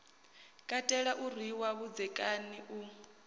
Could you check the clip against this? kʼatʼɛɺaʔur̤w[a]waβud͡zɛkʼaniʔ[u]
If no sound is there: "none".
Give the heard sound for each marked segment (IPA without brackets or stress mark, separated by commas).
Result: i, u